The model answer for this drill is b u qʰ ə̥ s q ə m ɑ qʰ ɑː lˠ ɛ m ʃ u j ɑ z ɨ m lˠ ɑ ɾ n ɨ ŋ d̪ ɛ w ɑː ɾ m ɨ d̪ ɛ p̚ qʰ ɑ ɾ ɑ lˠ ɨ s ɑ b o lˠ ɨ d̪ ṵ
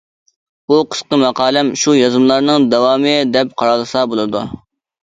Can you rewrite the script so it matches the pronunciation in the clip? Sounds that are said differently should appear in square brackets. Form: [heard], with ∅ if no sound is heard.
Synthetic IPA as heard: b u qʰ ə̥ s q ə m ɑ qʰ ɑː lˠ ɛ m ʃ u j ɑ z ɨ m lˠ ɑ ɾ n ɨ ŋ d̪ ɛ w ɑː [∅] m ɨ d̪ ɛ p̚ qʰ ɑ ɾ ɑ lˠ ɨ s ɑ b o lˠ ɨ d̪ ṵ